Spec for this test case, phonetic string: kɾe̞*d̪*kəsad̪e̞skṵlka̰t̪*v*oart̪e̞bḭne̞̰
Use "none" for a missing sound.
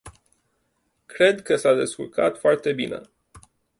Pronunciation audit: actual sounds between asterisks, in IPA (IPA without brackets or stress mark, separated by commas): d̪, f